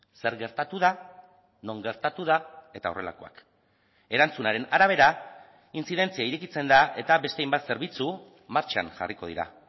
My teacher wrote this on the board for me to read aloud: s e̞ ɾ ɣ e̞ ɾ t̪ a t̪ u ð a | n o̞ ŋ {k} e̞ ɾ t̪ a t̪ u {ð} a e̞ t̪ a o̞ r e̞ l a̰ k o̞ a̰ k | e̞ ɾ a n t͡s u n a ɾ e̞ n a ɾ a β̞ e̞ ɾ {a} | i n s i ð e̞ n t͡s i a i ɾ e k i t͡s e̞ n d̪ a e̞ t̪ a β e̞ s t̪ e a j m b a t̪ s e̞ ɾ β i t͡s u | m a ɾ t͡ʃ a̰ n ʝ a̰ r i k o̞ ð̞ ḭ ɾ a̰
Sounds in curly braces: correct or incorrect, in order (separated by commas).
incorrect, correct, correct